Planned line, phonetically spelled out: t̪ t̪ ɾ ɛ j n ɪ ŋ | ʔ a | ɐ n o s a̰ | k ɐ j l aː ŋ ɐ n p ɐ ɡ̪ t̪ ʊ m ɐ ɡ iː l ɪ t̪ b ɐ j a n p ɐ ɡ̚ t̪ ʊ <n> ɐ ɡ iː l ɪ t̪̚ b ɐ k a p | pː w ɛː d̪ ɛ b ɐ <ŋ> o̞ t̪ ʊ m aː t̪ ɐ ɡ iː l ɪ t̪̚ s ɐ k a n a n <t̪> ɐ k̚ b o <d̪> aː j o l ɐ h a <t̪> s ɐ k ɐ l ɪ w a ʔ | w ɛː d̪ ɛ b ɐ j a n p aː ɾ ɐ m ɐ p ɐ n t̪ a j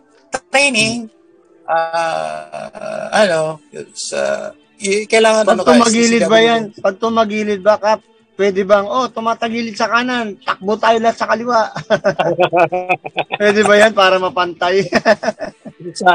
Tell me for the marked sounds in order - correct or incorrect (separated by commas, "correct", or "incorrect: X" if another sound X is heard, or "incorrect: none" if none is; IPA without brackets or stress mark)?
incorrect: m, correct, correct, incorrect: t̪, correct